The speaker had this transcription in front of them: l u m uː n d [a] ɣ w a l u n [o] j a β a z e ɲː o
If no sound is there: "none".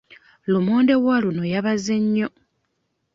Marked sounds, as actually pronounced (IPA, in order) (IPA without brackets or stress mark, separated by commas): e, o